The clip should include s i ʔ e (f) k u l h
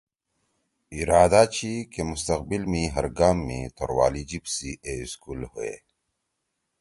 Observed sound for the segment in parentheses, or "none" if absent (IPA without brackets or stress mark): s